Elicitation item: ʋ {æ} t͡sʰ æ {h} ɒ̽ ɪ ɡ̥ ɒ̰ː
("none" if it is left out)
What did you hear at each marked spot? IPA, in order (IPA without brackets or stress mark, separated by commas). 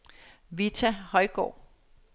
i, h